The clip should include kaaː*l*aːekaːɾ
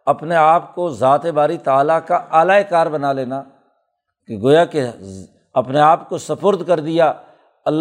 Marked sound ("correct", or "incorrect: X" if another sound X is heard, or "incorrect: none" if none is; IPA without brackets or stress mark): correct